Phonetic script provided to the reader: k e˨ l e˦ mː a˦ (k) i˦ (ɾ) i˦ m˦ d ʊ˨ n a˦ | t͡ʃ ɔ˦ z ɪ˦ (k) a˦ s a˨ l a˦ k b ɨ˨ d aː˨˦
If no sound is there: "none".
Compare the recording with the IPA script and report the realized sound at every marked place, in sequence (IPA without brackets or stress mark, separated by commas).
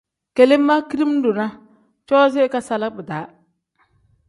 k, ɾ, k